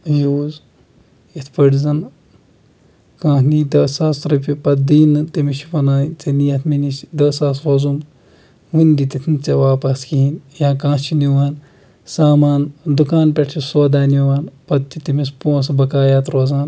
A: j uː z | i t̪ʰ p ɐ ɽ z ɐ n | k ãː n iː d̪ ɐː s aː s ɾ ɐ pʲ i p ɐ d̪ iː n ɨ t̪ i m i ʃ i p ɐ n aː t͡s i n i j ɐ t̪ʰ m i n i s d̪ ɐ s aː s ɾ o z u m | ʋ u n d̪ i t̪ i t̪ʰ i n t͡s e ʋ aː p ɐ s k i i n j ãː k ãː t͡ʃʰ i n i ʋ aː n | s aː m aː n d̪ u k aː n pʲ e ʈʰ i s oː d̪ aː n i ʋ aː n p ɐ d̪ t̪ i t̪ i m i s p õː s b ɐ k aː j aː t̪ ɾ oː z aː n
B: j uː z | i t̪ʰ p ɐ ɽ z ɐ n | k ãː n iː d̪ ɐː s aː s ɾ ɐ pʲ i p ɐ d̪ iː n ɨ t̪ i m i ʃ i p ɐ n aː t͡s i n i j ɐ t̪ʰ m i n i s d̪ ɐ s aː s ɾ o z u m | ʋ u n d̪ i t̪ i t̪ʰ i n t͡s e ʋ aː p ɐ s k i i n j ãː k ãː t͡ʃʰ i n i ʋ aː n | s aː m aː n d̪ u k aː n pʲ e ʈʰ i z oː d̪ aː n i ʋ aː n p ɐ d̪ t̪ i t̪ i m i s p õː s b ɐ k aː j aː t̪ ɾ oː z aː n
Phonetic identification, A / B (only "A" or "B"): A